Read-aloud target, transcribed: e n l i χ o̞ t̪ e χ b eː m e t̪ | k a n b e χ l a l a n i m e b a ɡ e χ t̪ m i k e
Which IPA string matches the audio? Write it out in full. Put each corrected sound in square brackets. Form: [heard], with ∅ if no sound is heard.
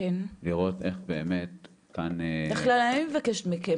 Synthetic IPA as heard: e n l i [ʁ] o̞ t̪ e χ b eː m e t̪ | k a n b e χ l a l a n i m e [v] a [k] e [ʃ] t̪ m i k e